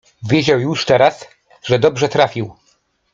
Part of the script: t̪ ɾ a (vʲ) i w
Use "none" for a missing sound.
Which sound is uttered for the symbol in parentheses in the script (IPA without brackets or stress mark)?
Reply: fʲ